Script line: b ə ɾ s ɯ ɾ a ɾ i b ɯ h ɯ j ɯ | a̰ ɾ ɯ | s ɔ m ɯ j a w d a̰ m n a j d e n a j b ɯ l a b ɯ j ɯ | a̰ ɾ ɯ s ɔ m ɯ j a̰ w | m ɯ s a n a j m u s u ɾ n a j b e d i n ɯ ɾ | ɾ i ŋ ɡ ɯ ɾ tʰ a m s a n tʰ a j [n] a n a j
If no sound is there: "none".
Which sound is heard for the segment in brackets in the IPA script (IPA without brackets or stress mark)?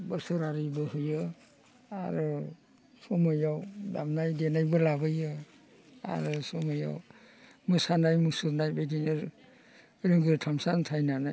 n